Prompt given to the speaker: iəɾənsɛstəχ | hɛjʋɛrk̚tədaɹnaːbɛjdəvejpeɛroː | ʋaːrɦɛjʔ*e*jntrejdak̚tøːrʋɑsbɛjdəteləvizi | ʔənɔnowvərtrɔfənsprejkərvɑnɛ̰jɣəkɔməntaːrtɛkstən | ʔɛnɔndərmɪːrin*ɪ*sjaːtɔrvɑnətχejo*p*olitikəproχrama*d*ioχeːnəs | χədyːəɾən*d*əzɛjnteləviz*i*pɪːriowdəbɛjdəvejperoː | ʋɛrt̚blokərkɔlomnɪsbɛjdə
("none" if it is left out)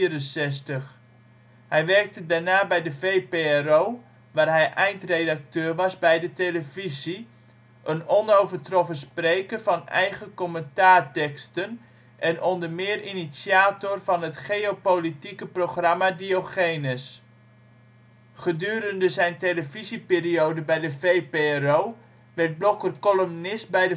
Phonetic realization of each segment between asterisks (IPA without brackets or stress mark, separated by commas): ɛ, i, p, d, d, i